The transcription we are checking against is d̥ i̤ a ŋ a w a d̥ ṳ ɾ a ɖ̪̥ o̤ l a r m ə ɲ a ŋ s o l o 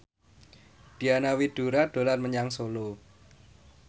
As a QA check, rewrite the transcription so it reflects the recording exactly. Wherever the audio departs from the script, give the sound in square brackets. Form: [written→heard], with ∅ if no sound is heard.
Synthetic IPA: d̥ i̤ a [ŋ→n] a w [a→i] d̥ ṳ ɾ a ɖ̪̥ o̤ l a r m ə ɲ a ŋ s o l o